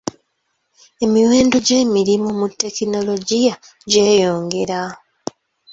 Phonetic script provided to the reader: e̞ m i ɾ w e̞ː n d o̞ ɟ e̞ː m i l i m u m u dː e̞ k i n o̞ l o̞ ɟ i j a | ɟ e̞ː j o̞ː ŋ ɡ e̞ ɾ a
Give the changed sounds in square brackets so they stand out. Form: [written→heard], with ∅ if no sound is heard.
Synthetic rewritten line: e̞ m i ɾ w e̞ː n d o̞ ɟ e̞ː m i [l→ɾ] i m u m u [dː→tː] e̞ k i n o̞ l o̞ ɟ i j a | ɟ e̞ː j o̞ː ŋ ɡ e̞ ɾ a